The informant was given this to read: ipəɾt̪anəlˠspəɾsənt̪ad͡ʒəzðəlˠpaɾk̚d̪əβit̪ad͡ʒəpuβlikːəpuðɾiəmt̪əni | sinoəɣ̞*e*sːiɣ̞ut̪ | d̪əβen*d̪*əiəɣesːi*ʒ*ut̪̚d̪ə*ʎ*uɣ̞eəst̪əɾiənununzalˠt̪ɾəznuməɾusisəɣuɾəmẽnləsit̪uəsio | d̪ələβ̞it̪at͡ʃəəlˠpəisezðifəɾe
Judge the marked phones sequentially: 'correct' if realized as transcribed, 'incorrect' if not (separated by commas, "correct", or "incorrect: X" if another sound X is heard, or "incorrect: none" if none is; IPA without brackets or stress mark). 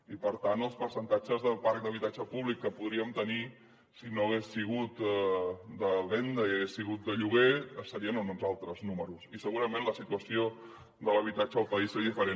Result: correct, correct, incorrect: ɣ, correct